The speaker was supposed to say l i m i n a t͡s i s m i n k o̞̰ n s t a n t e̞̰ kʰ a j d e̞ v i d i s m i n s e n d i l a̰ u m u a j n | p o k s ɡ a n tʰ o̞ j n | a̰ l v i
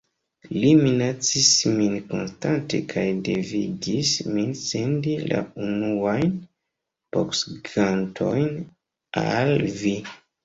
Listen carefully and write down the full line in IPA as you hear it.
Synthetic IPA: l i m i n a t͡s i s m i n k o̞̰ n s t a n t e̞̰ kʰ a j d e̞ v i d i s m i n s e n d i l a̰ u n u a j n | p o k s ɡ a n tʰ o̞ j n | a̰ l v i